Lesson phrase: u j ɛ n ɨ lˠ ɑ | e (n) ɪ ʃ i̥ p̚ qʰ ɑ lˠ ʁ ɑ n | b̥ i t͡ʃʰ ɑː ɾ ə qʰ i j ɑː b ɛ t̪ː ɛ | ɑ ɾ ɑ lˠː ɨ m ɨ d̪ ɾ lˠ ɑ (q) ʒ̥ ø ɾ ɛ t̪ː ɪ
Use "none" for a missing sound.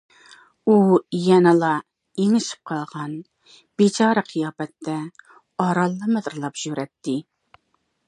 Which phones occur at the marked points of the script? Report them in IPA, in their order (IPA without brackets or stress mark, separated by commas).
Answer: ŋ, p